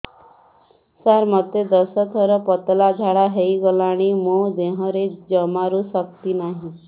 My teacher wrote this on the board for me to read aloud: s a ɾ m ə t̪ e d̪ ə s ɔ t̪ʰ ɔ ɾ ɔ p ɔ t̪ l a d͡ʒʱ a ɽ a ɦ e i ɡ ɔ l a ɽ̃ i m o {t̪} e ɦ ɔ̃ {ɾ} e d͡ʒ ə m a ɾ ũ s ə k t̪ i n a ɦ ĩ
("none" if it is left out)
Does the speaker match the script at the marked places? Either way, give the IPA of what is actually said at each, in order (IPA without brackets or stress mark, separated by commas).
d̪, ɾ